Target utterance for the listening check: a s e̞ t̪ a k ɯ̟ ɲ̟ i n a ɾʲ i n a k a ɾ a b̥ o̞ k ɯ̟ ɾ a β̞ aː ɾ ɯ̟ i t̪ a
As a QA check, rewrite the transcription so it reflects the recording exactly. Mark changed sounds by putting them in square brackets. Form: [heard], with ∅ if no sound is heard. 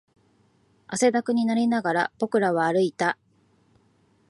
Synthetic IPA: a s e̞ [d̪] a k ɯ̟ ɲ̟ i n a ɾʲ i n a [ɡ] a ɾ a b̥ o̞ k ɯ̟ ɾ a β̞ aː ɾ ɯ̟ i t̪ a